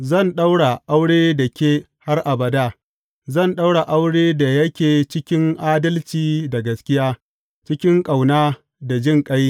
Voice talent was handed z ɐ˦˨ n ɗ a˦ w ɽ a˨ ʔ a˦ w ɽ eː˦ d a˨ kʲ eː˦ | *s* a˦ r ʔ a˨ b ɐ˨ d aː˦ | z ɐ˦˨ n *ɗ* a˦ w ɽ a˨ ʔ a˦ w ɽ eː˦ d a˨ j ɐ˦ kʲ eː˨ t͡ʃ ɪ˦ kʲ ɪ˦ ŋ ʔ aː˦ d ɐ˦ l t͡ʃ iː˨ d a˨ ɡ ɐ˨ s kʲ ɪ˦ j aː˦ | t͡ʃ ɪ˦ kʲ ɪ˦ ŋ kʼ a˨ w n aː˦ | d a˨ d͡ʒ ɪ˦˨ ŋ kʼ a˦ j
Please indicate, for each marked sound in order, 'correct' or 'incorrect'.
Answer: incorrect, correct

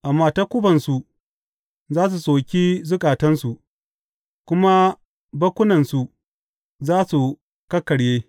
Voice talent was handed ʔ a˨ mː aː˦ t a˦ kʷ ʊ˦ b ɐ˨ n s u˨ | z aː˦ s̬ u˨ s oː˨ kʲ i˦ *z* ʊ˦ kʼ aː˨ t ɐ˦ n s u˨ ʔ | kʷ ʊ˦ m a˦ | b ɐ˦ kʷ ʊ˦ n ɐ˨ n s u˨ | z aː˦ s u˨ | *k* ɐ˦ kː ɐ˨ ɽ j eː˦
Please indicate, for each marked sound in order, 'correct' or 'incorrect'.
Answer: correct, correct

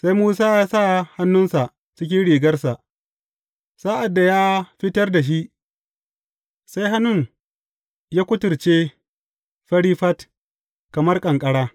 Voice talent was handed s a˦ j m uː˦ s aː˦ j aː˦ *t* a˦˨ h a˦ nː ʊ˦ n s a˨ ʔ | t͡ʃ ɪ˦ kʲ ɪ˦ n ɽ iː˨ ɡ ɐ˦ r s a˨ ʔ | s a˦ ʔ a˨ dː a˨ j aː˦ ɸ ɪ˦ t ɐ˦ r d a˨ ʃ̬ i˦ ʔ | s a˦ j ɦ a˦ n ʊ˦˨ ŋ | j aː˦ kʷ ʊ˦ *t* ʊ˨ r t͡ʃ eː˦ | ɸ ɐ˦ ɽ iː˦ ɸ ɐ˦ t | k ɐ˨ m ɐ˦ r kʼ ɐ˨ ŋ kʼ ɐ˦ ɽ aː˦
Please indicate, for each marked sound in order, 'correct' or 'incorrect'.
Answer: incorrect, correct

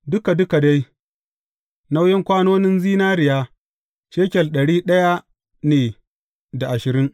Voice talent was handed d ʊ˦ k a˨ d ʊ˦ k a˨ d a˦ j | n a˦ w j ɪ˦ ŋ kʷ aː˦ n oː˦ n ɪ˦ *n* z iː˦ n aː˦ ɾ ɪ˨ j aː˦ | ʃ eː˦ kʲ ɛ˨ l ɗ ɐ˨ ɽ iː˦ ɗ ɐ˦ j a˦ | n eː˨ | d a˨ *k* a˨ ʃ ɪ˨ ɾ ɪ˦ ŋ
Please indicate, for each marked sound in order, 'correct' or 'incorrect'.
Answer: correct, incorrect

